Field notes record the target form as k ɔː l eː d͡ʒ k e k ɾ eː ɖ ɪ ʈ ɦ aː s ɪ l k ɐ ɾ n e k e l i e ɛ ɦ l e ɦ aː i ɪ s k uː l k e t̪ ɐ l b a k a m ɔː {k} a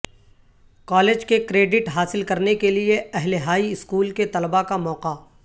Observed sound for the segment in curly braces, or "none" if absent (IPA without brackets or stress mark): q